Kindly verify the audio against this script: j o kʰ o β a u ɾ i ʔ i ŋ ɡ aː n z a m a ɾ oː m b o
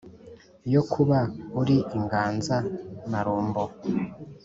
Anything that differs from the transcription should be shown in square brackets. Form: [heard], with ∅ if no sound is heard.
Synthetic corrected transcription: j o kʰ [u] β a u ɾ i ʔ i ŋ ɡ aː n z a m a ɾ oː m b o